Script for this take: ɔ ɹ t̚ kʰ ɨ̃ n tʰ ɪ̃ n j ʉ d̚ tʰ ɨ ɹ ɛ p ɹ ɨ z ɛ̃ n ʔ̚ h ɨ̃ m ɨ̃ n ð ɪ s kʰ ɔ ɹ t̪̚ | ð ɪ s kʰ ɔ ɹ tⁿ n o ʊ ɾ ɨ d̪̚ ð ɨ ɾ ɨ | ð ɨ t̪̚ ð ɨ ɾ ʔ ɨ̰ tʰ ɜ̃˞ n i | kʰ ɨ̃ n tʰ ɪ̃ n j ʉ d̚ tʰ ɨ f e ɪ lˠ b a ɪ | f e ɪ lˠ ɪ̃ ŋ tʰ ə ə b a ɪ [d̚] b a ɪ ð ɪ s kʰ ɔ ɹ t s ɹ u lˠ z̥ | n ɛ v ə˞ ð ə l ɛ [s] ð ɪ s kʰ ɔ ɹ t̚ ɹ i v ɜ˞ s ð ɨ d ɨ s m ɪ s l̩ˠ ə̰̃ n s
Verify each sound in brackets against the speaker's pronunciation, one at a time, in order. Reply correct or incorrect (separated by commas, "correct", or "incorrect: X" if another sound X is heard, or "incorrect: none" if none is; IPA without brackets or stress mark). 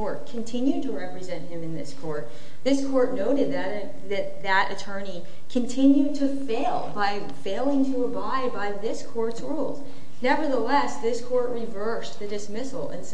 correct, correct